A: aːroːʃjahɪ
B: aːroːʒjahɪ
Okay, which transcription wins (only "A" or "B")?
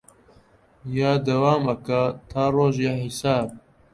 B